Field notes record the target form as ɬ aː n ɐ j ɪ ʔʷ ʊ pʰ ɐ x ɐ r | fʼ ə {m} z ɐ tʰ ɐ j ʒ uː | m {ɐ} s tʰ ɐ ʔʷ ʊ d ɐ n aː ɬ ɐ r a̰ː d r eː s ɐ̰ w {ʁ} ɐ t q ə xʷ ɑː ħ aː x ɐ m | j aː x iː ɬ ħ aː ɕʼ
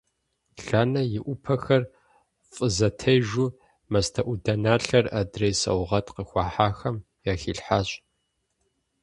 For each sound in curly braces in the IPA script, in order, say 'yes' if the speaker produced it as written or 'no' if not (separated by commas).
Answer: no, yes, yes